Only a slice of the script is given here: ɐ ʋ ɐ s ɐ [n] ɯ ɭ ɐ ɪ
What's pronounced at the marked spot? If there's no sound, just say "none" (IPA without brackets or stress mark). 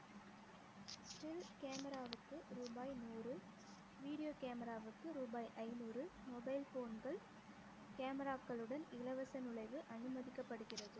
n